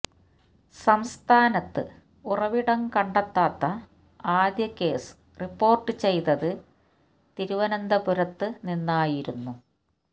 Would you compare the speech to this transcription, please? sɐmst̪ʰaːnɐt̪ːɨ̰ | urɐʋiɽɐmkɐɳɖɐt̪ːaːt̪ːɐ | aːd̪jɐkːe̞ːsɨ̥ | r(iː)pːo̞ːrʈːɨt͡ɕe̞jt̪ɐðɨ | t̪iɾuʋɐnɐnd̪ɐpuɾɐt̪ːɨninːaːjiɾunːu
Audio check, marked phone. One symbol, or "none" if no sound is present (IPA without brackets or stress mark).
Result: i